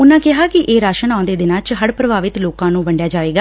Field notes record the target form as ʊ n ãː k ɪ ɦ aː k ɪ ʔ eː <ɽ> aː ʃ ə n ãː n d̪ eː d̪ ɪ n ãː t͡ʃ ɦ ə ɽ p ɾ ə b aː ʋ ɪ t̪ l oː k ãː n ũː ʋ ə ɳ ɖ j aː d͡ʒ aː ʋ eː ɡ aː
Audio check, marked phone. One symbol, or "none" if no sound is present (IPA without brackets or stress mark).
ɾ